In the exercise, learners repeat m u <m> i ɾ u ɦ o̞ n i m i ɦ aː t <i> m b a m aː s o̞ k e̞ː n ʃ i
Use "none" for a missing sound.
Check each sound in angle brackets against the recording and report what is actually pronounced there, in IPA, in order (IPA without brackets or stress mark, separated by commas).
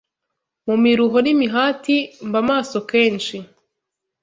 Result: m, i